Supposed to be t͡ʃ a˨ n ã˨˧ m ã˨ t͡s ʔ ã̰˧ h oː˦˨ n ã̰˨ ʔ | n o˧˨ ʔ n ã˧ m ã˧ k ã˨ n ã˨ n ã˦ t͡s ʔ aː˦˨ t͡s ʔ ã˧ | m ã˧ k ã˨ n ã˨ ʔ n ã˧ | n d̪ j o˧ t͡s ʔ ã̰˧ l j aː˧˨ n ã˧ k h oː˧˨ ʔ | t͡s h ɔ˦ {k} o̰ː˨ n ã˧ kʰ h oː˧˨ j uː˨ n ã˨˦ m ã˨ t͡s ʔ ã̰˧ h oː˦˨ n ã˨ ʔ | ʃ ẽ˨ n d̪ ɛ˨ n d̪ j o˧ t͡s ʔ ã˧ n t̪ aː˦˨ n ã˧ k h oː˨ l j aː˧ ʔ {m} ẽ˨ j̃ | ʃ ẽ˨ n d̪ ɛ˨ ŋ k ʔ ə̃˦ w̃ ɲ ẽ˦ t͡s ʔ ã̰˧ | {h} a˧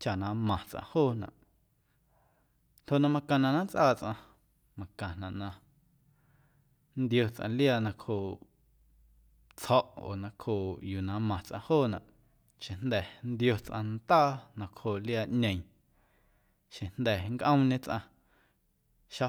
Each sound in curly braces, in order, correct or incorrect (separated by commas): incorrect, incorrect, incorrect